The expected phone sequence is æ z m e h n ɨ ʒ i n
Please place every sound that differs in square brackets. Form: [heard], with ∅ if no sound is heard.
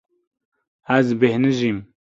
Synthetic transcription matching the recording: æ z [b] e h n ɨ ʒ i [m]